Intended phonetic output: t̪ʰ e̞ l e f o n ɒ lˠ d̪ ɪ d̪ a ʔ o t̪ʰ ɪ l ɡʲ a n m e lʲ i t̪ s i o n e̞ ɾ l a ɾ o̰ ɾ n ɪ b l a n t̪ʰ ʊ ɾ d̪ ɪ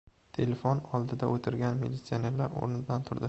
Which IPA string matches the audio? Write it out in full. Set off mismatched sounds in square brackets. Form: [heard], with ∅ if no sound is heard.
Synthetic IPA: t̪ʰ e̞ l e f o n ɒ lˠ d̪ ɪ d̪ a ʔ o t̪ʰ ɪ [ɾ] ɡʲ a n m e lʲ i t̪ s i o n e̞ ɾ l a ɾ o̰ ɾ n ɪ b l a n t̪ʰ ʊ ɾ d̪ ɪ